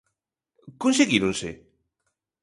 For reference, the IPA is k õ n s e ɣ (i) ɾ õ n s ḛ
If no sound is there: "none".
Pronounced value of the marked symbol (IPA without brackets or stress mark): i